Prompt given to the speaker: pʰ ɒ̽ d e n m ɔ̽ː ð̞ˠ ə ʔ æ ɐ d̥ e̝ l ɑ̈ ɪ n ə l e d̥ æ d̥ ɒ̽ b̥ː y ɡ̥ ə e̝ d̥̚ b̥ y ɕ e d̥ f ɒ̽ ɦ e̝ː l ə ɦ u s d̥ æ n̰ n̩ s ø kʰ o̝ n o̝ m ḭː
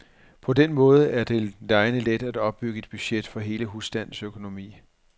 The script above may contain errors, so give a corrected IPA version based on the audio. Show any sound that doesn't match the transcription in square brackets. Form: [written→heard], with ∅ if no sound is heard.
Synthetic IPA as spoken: pʰ ɒ̽ d e n m ɔ̽ː ð̞ˠ ə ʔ æ ɐ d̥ e̝ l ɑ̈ ɪ n ə l e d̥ æ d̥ ɒ̽ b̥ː y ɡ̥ ə e̝ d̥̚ b̥ y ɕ e d̥ f ɒ̽ ɦ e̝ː l ə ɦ u s d̥ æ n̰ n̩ s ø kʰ o̝ n o̝ m ḭː